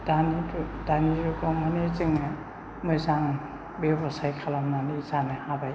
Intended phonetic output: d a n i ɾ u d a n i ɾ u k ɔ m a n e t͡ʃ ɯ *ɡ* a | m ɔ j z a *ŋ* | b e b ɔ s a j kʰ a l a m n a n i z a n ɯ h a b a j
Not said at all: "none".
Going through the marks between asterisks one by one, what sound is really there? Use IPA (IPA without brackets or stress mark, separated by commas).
ŋ, ŋ